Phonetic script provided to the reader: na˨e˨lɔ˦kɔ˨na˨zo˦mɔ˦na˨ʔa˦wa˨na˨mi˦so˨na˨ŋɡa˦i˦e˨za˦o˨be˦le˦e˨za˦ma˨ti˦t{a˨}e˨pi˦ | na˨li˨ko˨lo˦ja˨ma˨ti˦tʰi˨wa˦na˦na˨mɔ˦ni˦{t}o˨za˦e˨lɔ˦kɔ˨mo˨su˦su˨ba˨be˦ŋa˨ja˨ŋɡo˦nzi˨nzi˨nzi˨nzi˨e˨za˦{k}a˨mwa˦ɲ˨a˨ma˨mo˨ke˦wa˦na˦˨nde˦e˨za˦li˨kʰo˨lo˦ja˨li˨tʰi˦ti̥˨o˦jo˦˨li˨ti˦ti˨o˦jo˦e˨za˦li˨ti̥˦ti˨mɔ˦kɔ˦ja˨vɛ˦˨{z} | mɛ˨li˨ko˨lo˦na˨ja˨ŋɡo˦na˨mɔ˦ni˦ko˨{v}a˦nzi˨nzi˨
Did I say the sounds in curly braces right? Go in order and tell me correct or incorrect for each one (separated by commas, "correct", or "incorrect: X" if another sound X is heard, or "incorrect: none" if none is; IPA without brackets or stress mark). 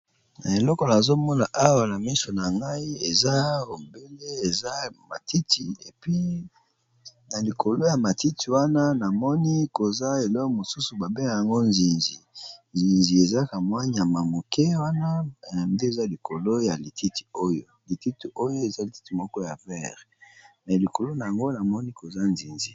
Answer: incorrect: i˨, incorrect: k, correct, incorrect: ʁ, incorrect: z